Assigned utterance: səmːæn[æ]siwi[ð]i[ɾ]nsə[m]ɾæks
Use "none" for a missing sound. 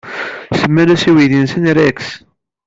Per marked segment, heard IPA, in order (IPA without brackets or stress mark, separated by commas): æ, ð, none, n